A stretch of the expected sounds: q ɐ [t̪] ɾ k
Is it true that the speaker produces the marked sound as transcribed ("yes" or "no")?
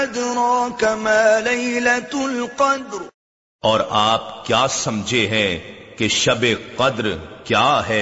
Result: no